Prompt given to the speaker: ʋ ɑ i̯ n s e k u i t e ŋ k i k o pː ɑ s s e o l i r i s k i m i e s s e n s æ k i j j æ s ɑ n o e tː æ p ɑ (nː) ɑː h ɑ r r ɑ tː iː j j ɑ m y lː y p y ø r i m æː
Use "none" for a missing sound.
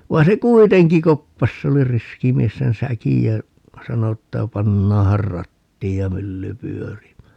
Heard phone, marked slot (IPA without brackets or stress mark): nː